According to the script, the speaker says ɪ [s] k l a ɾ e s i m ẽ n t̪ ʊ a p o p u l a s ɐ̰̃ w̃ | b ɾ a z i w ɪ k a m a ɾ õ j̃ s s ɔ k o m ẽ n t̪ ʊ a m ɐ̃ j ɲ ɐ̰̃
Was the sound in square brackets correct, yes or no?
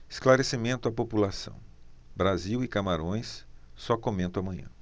yes